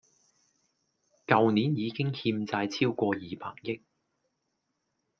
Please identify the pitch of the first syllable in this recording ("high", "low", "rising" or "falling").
low